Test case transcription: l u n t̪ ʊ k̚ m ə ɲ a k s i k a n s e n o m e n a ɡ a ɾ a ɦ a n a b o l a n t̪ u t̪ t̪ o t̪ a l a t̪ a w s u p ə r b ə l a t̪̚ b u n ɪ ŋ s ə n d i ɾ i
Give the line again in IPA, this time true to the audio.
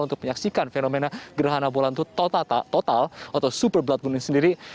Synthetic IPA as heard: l u n t̪ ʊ k̚ m ə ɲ a k s i k a n f e n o m e n a ɡ ə ɾ a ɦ a n a b o l a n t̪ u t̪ t̪ o t̪ a l a t̪ a w s u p ə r b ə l a t̪̚ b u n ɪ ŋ s ə n d i ɾ i